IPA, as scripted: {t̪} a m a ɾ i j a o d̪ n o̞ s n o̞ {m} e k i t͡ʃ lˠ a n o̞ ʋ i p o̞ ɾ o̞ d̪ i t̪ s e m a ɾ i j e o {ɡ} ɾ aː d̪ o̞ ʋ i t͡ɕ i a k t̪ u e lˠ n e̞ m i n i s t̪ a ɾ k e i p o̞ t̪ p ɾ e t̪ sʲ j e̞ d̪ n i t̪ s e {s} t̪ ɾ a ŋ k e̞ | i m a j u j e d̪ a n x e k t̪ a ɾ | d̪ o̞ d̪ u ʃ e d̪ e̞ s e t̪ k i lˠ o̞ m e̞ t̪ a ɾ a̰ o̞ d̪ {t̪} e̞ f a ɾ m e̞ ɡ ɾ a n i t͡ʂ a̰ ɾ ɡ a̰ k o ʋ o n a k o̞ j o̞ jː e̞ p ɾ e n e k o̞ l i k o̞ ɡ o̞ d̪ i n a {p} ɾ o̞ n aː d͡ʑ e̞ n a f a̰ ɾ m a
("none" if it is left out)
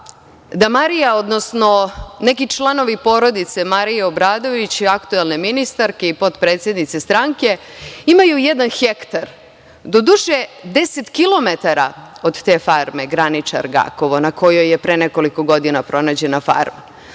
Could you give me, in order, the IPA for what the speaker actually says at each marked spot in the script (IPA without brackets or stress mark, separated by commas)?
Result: d̪, n, b, s, t̪, p